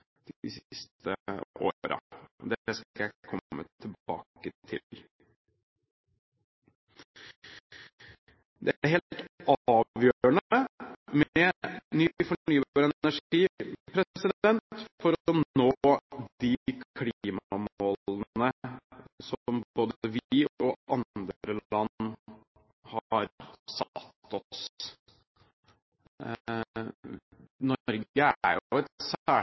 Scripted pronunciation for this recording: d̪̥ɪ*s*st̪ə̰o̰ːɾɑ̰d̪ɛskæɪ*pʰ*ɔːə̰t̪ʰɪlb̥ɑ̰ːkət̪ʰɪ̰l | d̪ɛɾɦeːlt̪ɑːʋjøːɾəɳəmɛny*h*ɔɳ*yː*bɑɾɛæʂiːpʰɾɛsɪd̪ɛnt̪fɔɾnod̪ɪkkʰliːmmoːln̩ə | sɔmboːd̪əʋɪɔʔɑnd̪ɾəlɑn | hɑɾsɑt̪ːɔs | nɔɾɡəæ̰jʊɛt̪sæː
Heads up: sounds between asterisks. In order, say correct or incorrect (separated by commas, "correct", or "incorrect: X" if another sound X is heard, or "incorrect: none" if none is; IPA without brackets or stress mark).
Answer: correct, incorrect: kʰ, incorrect: f, correct